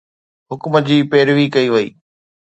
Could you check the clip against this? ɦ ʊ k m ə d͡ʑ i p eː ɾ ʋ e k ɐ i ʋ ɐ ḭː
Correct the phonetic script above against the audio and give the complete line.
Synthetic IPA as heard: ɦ ʊ k m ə d͡ʑ iː p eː ɾ ʋ i k ɐ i ʋ ɐ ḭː